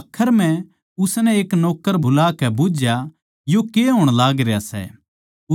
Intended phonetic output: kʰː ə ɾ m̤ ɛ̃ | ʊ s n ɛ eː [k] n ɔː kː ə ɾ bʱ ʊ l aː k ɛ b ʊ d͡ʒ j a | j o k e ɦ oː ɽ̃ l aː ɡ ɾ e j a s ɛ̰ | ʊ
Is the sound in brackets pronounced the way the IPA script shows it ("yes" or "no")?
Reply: yes